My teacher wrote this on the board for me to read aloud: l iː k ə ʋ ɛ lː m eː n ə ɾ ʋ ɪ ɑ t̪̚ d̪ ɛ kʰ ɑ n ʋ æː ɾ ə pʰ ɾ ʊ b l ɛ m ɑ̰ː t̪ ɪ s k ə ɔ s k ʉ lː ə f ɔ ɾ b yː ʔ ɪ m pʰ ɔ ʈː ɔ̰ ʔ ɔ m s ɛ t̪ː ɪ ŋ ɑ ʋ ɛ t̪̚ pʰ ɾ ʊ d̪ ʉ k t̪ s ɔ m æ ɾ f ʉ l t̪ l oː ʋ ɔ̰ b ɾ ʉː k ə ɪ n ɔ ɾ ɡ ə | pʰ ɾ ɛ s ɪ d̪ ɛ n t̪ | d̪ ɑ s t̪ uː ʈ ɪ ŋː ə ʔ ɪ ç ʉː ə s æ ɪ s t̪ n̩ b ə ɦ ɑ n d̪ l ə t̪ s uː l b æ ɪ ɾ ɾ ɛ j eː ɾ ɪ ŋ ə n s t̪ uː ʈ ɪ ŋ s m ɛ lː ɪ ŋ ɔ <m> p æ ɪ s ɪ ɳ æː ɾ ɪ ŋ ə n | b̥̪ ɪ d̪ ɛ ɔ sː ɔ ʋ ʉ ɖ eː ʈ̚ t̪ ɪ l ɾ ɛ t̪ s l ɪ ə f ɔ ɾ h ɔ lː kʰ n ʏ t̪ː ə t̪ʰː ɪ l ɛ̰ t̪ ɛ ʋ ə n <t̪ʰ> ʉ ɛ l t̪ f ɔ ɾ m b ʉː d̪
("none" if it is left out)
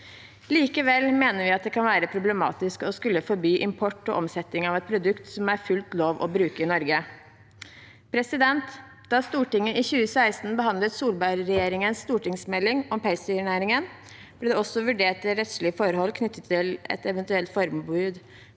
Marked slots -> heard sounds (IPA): m, t̪

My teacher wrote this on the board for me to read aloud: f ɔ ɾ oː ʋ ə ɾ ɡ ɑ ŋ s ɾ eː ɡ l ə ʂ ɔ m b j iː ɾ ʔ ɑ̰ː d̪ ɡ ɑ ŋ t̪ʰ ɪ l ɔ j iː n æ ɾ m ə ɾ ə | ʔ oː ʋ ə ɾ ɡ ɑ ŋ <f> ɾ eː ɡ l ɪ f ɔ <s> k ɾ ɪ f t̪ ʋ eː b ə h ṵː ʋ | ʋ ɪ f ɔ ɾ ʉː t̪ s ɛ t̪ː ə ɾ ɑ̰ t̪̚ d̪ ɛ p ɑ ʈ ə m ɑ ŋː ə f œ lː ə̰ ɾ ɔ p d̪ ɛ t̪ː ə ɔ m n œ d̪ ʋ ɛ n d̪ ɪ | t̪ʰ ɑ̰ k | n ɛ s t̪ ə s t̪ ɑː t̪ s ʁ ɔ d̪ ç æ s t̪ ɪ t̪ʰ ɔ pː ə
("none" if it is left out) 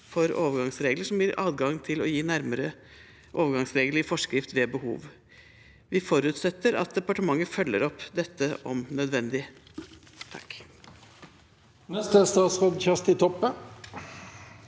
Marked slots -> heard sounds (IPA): s, ʂ

